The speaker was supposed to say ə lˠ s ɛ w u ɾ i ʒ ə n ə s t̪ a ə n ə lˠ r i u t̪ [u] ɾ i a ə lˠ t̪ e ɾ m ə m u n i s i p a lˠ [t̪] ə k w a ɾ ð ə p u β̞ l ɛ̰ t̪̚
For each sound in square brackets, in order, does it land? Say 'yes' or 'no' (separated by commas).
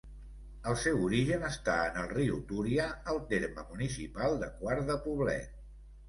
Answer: yes, no